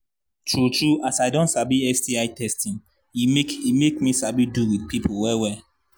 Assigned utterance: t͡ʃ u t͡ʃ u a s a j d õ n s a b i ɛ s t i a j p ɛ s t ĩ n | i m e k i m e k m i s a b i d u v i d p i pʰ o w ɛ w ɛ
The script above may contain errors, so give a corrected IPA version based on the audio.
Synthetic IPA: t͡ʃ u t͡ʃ u a s a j d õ n s a b i ɛ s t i a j t ɛ s t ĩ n | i m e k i m e k m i s a b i d u w i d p i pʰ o w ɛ w ɛ